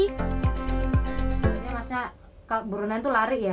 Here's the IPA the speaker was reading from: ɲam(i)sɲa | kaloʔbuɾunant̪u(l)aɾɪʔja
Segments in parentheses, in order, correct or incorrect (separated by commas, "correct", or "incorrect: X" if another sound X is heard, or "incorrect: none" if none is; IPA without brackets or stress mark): incorrect: a, correct